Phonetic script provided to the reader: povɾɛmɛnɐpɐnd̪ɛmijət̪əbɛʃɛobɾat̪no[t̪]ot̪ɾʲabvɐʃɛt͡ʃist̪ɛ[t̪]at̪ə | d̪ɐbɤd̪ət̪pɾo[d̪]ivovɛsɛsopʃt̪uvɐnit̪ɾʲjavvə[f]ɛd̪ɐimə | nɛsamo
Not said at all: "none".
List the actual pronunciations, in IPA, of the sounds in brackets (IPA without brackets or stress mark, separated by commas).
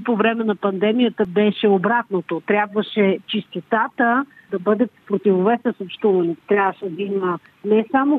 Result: t̪, t̪, t̪, ʃ